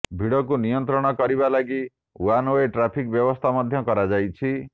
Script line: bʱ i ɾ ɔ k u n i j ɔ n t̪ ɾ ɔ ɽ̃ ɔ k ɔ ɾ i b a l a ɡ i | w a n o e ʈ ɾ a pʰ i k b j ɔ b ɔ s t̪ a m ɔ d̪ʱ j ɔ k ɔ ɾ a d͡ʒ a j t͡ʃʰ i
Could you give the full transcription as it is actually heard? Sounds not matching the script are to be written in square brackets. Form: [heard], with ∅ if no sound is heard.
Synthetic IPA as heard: bʱ i [ɽ] ɔ k u n i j ɔ n t̪ ɾ ɔ ɽ̃ ɔ k ɔ ɾ i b a l a ɡ i | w a n o e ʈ ɾ a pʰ i k b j ɔ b ɔ s [t̪ʰ] a m ɔ d̪ʱ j ɔ k ɔ ɾ a d͡ʒ a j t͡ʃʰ i